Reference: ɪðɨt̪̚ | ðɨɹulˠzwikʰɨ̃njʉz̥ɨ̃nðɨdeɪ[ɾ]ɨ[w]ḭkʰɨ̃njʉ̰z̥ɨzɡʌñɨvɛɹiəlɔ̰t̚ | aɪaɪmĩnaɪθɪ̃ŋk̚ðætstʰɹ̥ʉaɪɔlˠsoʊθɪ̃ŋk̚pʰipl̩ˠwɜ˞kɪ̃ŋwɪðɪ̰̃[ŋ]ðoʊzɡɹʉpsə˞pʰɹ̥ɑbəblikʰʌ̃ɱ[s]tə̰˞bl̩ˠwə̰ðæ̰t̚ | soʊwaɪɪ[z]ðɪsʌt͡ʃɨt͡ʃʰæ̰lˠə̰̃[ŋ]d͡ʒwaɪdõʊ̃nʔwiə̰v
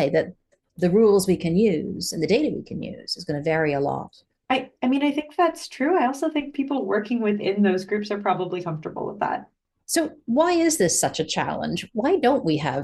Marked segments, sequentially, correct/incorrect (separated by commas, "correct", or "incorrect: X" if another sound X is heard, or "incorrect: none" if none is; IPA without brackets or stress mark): correct, correct, incorrect: n, incorrect: f, correct, incorrect: n